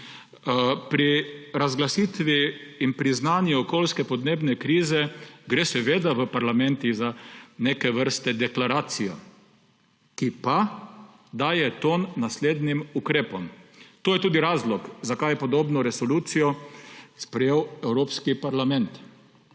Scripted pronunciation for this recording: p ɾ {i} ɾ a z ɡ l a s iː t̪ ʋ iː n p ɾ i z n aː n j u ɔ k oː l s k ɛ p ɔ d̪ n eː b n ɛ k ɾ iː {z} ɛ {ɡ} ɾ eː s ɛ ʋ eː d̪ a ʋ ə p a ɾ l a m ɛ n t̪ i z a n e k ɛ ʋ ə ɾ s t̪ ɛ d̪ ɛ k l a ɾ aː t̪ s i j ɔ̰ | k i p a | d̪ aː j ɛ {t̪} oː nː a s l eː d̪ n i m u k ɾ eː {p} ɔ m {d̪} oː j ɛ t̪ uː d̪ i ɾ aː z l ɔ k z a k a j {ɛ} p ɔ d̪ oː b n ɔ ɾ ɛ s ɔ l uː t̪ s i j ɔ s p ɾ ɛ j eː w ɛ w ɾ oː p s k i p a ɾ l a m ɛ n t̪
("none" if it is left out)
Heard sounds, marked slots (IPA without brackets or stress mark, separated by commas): i, z, ɡ, t̪, p, t̪, ɛ